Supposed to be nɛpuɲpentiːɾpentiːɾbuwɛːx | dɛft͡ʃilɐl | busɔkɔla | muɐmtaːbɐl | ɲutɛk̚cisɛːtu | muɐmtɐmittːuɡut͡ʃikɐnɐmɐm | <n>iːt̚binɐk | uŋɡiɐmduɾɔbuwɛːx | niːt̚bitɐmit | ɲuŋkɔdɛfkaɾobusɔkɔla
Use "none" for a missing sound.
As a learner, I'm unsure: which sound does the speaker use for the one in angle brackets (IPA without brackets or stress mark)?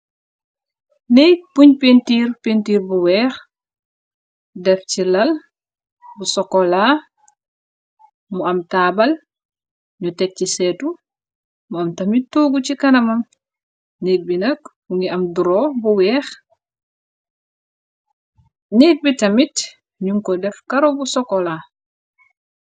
n